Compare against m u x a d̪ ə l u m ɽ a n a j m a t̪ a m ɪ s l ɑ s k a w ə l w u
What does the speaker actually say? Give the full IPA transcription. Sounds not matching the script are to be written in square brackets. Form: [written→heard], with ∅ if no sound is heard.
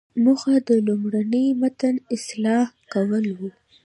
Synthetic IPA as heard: m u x a d̪ ə l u m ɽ a n [a→ə] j m a t̪ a [m→n] ɪ s l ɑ [s→h] k a w ə l w u